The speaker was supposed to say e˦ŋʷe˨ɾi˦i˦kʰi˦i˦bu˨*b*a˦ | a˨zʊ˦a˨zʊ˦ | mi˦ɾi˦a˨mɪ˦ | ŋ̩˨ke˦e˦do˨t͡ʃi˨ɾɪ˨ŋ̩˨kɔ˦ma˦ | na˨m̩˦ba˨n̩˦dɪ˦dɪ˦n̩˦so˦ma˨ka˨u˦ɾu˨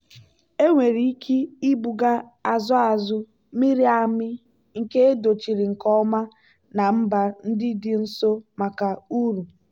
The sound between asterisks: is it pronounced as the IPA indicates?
no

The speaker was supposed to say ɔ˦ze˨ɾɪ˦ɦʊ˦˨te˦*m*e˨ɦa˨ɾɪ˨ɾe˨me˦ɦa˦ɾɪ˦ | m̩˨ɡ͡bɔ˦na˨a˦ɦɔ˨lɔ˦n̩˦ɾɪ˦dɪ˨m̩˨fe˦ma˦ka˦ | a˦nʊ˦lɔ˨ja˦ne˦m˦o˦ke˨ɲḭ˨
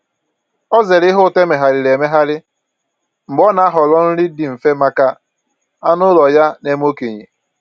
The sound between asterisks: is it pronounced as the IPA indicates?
yes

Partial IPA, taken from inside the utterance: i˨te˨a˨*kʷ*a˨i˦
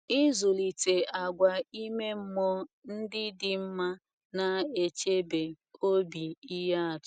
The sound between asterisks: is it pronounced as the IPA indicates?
no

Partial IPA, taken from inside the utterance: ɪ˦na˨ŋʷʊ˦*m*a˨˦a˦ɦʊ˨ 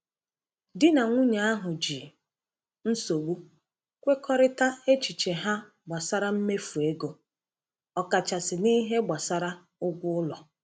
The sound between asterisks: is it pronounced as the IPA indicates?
no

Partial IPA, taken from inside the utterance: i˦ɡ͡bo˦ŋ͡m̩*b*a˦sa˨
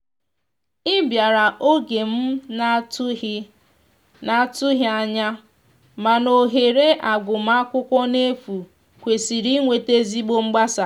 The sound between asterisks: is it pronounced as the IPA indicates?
no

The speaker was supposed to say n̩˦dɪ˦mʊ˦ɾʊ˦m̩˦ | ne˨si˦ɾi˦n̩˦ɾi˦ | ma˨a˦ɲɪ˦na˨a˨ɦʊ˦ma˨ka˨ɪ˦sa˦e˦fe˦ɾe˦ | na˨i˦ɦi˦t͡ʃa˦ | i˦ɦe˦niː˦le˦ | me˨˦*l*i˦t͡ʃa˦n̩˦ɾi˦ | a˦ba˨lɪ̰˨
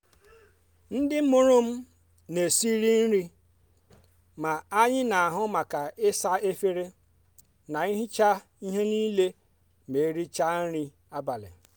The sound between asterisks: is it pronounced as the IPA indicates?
no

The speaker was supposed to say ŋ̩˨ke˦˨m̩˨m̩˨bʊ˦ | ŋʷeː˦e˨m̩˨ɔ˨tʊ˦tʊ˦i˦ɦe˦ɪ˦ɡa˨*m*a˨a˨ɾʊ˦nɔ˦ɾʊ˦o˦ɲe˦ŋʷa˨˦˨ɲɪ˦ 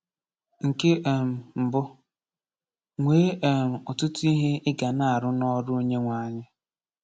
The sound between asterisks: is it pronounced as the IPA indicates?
no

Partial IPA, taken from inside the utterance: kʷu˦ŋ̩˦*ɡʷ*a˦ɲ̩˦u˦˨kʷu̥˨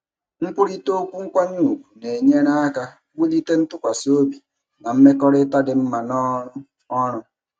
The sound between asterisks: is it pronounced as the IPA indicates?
no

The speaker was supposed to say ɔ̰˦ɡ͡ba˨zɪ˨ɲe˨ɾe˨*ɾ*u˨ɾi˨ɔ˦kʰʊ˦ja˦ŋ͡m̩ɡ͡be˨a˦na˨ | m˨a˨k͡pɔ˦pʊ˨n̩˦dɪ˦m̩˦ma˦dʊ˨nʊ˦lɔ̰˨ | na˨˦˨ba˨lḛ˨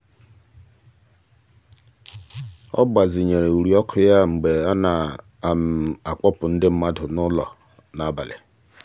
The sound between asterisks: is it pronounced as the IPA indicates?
no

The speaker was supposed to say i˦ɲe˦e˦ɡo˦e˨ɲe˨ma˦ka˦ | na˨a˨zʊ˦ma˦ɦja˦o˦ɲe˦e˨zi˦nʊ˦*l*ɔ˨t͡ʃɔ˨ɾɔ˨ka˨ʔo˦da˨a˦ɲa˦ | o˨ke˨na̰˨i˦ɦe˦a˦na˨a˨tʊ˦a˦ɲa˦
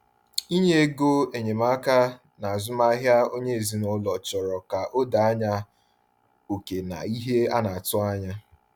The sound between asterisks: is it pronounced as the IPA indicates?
yes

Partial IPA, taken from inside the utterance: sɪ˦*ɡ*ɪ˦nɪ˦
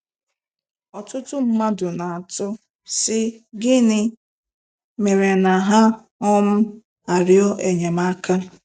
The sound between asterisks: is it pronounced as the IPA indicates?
yes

